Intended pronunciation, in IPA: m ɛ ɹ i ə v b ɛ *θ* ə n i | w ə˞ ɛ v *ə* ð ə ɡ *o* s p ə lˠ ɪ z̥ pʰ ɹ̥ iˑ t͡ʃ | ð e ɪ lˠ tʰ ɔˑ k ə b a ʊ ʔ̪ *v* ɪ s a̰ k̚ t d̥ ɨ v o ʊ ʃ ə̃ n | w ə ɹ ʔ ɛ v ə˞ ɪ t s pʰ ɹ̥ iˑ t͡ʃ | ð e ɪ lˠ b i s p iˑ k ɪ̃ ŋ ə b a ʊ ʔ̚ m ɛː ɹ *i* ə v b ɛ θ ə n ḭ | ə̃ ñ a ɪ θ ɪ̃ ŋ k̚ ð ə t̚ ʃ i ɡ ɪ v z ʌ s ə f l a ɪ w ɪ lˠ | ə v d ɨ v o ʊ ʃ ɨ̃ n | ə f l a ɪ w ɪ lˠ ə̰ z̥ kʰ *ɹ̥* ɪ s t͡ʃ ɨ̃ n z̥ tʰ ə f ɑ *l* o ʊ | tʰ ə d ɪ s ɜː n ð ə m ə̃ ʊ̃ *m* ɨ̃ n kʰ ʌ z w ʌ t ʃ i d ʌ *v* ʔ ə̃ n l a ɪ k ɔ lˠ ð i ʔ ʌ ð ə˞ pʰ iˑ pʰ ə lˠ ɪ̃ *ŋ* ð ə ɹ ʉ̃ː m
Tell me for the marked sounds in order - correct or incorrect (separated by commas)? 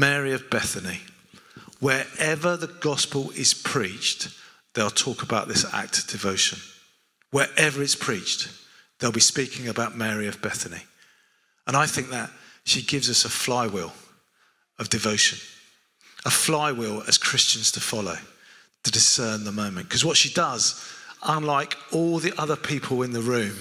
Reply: correct, correct, incorrect, incorrect, correct, correct, correct, correct, incorrect, incorrect